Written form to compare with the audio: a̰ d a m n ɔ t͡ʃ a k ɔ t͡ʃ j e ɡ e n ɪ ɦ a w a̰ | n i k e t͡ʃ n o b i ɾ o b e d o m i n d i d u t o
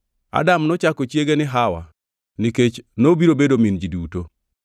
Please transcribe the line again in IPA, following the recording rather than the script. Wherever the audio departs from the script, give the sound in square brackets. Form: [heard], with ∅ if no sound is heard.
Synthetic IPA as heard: a̰ d a m n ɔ t͡ʃ a k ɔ t͡ʃ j e ɡ e n ɪ ɦ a w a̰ | n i k e t͡ʃ n o b i ɾ o b e d o m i n [d͡ʒ] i d u t o